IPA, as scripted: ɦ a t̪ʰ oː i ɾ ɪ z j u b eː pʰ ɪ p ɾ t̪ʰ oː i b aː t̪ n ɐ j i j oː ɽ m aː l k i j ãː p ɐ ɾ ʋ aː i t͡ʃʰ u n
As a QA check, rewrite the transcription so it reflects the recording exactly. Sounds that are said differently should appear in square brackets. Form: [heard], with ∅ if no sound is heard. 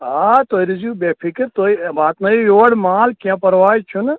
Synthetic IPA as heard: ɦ a [t̪] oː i ɾ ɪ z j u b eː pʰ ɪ [k] ɾ [t̪] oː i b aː t̪ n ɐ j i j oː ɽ m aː l k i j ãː p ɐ ɾ ʋ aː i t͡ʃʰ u n